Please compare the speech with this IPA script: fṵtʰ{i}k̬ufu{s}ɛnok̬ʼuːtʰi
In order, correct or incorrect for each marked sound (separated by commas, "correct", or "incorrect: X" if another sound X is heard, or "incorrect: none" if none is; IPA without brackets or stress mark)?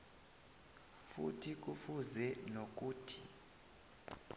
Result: correct, incorrect: z